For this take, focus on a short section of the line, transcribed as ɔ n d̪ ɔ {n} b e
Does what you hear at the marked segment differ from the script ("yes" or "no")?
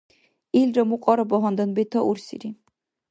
no